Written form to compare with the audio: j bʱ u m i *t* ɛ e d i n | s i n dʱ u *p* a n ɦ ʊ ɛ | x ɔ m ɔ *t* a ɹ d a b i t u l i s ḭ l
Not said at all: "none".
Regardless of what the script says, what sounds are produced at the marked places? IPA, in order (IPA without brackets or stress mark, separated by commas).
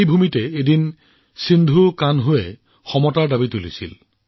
t, k, t